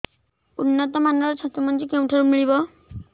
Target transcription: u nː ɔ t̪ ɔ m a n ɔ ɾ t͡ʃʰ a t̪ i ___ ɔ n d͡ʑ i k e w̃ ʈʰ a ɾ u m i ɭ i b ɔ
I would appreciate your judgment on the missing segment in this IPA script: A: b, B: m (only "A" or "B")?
B